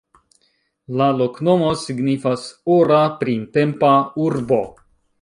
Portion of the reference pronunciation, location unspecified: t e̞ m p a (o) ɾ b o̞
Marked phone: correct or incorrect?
incorrect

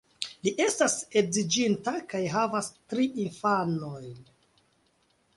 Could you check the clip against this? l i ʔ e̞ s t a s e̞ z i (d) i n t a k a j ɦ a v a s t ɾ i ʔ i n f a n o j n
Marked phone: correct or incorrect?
incorrect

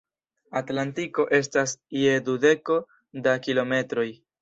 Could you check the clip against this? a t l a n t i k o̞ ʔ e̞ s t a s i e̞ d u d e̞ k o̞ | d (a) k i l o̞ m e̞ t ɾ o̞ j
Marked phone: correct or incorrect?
correct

